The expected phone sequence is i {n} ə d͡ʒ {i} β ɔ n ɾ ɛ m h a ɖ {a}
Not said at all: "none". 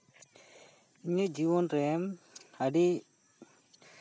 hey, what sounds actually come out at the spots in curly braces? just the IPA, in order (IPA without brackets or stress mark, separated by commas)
ɲ, i, i